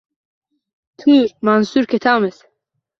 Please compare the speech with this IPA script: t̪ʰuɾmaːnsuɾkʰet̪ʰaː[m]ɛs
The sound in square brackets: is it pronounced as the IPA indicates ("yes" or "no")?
yes